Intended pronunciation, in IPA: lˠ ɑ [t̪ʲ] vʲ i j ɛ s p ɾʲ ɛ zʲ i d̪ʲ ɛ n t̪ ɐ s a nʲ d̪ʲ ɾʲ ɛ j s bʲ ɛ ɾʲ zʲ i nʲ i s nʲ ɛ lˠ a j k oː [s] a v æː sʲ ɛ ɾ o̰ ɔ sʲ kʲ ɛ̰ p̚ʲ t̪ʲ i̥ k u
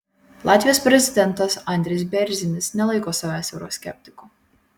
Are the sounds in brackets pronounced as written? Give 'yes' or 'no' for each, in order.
yes, yes

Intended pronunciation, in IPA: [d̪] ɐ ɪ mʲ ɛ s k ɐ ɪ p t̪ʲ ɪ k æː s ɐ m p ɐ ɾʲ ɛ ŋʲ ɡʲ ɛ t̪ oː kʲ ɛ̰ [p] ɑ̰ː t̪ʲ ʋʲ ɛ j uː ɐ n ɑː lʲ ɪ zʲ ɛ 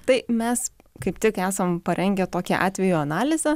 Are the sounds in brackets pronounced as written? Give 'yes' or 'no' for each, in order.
no, no

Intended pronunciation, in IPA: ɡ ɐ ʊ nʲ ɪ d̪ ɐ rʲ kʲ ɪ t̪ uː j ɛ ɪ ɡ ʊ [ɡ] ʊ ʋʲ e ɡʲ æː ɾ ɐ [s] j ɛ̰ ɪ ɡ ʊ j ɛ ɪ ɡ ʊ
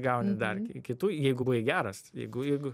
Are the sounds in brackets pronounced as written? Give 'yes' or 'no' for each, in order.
no, yes

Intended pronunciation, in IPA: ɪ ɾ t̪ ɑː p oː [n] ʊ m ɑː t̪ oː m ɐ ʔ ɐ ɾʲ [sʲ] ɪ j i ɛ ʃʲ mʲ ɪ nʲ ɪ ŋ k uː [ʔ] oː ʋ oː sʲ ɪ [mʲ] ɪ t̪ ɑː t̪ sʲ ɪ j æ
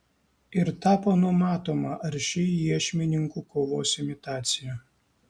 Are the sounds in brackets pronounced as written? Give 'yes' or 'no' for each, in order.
yes, no, no, yes

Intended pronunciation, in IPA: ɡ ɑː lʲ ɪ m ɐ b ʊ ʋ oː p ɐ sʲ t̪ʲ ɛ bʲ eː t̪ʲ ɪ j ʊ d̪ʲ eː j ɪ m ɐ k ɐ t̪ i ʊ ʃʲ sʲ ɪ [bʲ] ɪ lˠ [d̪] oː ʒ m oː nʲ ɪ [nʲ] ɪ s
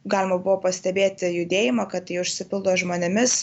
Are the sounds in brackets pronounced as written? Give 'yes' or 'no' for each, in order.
no, yes, no

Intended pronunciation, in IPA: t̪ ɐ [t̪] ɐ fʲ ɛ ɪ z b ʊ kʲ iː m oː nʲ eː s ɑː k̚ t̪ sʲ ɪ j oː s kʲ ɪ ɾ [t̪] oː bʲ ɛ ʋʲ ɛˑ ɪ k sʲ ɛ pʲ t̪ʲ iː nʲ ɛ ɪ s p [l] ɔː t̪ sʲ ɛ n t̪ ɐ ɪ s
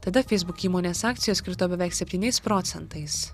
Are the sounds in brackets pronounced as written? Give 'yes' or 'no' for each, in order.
no, yes, no

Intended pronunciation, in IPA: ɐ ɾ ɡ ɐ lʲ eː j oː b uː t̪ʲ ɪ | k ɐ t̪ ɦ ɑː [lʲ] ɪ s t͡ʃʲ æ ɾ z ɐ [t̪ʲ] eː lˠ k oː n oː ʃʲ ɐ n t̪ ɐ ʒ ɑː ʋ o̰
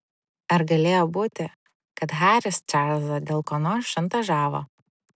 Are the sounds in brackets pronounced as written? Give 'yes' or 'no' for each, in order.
no, no

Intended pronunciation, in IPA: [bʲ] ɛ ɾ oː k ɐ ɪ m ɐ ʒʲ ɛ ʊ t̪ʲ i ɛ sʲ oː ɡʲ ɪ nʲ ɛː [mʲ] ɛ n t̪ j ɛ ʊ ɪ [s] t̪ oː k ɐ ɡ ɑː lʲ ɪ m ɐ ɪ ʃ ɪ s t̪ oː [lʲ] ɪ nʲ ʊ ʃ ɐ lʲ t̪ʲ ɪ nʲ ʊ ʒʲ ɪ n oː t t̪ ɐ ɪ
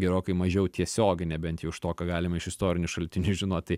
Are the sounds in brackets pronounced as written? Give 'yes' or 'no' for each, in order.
no, no, no, no

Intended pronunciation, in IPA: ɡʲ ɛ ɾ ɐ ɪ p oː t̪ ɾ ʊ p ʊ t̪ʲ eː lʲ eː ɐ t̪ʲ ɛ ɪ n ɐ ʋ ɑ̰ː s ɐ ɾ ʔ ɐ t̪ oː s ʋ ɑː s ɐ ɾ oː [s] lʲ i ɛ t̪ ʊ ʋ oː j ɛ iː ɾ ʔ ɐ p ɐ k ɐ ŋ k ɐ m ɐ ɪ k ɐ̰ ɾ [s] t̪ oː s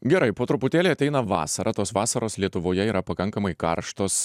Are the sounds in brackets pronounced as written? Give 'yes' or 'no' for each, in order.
yes, no

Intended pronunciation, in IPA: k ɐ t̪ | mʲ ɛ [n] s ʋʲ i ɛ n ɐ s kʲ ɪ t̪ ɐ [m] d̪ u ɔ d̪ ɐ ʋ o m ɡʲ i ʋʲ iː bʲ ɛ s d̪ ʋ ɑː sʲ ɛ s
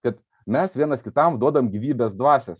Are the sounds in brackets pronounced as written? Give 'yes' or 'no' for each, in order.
no, yes

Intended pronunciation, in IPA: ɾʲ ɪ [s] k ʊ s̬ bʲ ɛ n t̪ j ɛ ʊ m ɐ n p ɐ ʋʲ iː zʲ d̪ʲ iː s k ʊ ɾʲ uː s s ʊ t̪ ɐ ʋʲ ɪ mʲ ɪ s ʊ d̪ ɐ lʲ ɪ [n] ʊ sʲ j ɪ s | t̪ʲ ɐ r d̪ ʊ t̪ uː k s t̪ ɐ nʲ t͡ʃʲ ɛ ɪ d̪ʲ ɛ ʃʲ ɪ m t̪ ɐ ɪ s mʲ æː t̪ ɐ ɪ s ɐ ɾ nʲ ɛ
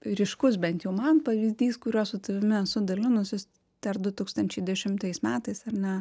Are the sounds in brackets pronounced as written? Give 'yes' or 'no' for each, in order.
no, yes

